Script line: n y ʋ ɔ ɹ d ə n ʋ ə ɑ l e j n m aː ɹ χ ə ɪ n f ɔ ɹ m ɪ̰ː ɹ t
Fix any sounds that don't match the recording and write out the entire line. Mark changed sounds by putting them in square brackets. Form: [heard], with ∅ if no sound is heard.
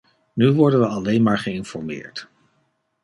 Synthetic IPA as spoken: n y ʋ ɔ ɹ d ə n ʋ ə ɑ l e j n m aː ɹ χ ə ɪ n f ɔ ɹ m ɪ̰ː ɹ t